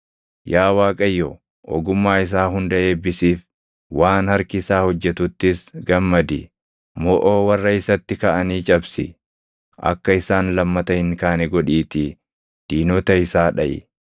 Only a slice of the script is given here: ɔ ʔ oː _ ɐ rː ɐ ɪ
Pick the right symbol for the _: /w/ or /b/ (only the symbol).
w